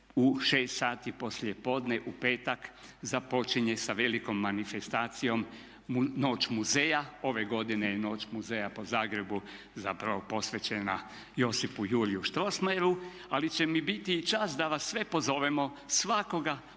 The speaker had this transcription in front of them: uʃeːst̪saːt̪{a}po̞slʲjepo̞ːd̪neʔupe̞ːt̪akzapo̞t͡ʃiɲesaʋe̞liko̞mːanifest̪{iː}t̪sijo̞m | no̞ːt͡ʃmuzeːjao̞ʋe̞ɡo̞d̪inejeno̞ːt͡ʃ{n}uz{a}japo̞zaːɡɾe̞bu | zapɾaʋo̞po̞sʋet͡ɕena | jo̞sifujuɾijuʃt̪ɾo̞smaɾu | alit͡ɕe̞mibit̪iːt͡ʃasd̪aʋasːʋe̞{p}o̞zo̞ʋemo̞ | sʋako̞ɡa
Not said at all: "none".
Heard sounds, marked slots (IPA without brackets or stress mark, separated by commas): i, aː, m, e, p